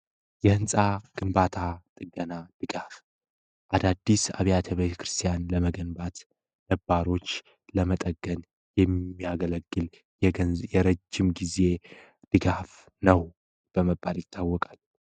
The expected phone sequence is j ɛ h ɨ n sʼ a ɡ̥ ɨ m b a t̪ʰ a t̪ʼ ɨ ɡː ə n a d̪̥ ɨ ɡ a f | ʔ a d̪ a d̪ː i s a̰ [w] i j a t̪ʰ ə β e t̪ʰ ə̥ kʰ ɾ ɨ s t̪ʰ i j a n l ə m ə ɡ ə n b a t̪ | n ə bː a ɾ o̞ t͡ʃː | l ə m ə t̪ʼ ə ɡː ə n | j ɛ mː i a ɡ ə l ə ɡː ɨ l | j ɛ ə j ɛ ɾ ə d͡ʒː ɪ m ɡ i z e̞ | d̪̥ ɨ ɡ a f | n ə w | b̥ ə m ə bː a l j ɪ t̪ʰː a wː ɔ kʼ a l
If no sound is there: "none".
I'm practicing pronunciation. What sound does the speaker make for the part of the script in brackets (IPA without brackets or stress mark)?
β